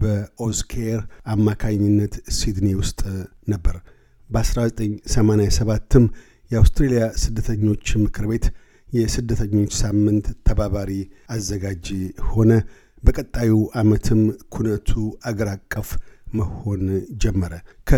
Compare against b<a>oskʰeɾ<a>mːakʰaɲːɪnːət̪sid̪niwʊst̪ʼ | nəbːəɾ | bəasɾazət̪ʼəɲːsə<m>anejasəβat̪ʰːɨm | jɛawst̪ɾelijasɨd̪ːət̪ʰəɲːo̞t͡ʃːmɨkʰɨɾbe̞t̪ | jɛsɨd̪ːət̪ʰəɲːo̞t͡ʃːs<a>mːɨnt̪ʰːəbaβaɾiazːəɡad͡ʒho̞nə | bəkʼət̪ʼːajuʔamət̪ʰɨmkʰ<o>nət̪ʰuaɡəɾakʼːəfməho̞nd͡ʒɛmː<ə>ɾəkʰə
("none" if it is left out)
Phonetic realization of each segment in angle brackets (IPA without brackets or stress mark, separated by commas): ə, a, m, a, u, ə